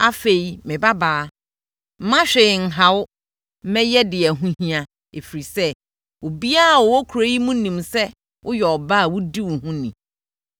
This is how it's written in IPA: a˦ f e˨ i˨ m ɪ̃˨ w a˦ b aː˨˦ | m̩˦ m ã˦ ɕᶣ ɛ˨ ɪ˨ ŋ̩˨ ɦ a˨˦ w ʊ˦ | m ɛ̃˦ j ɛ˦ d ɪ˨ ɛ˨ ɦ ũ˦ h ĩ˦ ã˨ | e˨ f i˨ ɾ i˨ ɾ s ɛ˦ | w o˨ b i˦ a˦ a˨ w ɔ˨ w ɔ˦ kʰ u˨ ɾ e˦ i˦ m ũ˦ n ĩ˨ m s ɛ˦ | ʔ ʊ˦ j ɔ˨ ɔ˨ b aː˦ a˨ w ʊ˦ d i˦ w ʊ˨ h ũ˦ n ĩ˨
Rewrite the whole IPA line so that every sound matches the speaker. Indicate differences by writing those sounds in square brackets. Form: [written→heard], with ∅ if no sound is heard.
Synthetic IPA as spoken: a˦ f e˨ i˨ m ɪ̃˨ [w→b] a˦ b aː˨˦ | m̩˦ m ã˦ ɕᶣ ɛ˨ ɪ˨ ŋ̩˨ ɦ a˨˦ w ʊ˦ | m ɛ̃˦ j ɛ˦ d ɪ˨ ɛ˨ ɦ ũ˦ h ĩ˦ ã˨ | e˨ f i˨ ɾ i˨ [ɾ→∅] s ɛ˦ | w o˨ b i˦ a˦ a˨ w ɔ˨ w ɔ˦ kʰ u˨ ɾ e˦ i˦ m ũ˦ n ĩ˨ m s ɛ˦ | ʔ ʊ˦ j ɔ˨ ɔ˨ b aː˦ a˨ w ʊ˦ d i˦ w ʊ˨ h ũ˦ n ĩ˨